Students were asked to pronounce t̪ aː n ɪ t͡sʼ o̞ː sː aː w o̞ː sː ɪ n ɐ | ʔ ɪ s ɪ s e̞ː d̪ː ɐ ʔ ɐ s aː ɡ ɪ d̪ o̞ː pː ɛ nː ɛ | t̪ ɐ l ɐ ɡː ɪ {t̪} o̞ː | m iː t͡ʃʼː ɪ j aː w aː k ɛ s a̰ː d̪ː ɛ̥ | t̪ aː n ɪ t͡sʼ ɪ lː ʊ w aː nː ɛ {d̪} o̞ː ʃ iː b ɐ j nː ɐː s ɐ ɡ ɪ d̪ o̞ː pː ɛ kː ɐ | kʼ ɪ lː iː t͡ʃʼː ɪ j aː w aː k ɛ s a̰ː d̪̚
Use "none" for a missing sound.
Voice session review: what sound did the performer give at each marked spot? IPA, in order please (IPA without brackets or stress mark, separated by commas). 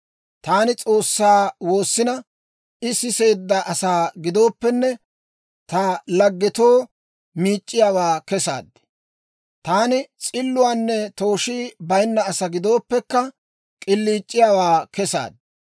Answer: t̪, t̪